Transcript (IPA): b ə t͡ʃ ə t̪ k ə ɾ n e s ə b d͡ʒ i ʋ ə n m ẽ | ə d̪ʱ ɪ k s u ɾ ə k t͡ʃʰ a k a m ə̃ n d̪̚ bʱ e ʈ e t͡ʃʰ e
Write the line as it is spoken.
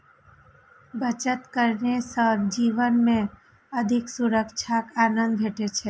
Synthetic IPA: b ə t͡ʃ ə t̪ k ə ɾ n e s ə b d͡ʒ i ʋ ə n m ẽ | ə d̪ʱ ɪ k s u ɾ ə k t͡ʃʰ a k a n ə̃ n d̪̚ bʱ e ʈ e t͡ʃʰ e

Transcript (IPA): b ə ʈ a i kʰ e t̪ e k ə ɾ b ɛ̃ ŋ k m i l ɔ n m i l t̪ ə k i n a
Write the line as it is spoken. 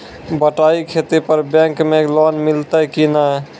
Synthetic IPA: b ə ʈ a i kʰ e t̪ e p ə ɾ b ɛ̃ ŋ k m e l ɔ n m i l t̪ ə k i n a

